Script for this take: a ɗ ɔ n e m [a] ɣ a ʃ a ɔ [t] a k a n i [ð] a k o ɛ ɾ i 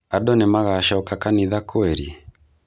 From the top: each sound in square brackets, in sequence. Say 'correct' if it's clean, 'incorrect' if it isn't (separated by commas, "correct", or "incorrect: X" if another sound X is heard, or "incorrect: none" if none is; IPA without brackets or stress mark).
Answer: correct, incorrect: k, correct